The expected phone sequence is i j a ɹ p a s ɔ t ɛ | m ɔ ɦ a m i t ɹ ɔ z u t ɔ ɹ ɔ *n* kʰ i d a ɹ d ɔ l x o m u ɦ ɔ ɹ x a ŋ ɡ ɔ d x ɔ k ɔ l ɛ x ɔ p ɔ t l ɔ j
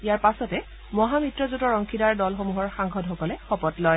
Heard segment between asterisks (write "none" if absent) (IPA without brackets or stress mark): ŋ